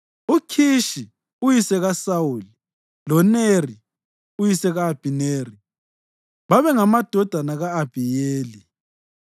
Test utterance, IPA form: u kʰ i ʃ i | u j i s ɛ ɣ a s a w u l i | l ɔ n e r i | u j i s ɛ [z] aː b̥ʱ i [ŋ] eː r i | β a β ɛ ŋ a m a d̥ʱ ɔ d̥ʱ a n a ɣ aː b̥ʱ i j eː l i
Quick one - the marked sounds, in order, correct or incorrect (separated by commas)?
incorrect, incorrect